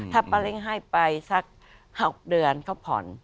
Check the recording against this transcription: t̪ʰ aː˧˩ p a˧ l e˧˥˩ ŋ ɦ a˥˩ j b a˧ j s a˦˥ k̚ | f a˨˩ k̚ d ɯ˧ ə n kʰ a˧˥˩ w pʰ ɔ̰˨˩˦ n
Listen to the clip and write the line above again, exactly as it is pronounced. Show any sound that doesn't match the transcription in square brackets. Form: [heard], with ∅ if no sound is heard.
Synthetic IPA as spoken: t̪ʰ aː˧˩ p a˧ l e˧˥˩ ŋ ɦ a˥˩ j [p] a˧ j s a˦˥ k̚ | [h] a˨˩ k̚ d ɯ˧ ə n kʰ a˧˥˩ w pʰ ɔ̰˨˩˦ n